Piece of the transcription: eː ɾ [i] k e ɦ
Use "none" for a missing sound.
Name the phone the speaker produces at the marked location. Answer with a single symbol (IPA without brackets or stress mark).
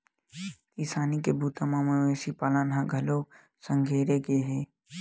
e